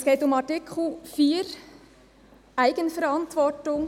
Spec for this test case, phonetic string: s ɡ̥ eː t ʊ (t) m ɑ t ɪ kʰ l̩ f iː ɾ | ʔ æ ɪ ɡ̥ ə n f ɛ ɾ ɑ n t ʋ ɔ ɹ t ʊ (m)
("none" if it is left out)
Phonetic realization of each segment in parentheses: none, ŋ

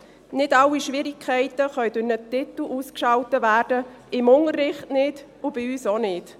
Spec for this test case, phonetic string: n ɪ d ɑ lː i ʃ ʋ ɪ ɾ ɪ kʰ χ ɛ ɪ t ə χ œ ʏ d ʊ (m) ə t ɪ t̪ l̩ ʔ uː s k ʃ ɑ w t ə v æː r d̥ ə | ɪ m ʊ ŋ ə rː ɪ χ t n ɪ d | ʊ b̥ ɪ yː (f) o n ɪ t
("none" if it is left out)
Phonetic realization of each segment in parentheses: n, s

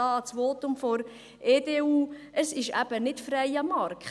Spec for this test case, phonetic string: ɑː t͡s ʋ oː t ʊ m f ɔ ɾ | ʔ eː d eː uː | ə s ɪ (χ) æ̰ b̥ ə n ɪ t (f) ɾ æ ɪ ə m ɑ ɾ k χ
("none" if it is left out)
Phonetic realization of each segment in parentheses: ʃ, f

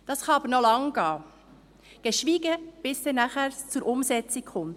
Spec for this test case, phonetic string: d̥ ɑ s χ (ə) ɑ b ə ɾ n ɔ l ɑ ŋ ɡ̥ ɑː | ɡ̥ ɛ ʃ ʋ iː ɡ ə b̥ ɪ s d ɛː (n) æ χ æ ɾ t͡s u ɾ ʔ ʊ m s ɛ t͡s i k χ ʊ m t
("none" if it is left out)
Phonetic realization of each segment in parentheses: ɑ, n

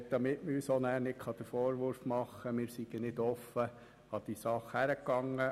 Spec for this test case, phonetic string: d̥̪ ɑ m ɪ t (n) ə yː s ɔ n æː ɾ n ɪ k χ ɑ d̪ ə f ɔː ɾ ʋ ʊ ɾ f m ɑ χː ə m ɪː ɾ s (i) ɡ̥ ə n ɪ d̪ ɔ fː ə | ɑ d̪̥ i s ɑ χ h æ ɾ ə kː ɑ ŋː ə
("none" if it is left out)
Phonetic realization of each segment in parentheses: m, i

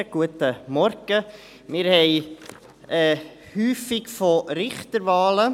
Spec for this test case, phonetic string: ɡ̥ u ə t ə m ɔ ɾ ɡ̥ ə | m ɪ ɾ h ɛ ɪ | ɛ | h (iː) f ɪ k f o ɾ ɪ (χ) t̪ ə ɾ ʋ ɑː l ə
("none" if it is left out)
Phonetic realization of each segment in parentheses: yː, χ

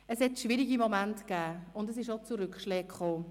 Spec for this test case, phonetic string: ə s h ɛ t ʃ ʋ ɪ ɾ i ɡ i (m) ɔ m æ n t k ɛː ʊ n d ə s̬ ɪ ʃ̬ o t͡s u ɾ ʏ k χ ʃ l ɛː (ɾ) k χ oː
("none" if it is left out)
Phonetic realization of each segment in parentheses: m, none

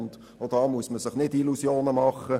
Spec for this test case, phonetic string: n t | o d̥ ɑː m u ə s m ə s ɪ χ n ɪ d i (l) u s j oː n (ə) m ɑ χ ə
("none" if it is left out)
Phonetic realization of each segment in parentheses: l, ə

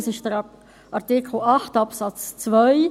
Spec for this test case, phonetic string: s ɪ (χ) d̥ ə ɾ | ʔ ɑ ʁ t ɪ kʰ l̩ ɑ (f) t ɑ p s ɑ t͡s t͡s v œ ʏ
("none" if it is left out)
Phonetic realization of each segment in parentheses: ʃ, χ

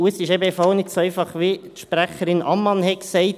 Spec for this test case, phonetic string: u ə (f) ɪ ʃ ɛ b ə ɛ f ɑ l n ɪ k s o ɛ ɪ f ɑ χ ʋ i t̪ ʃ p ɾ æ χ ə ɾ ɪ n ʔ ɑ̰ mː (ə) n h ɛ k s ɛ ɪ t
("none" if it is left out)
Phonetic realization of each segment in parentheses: s, ɑ

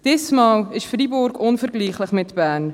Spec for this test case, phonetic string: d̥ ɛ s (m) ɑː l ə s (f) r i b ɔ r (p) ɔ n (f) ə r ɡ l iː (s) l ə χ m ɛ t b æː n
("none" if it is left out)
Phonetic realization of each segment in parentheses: m, f, k, f, χ

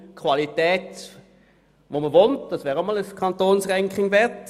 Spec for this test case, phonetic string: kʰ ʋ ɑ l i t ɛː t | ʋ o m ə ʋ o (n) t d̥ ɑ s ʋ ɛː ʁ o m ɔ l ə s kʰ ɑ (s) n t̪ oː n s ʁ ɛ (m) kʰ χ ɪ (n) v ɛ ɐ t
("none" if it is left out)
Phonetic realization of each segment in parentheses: n, none, ŋ, ŋ

